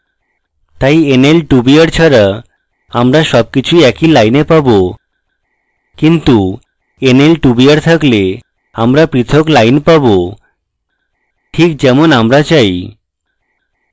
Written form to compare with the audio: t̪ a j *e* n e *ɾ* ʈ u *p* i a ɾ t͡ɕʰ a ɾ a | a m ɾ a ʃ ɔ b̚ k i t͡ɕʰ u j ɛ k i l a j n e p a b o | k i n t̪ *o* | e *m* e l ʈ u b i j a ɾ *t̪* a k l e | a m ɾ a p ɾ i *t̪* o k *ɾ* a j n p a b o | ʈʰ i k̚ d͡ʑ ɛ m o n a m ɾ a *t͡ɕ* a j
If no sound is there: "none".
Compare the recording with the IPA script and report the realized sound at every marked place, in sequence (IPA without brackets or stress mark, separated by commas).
e, l, b, u, n, t̪ʰ, t̪ʰ, l, t͡ɕ